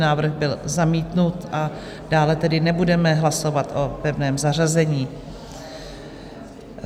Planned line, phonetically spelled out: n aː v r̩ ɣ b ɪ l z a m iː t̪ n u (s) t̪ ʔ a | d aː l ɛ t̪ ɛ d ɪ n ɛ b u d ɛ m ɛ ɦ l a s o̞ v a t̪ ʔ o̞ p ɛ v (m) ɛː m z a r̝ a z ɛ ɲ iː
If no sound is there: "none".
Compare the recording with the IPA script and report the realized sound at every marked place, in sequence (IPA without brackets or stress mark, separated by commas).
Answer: none, n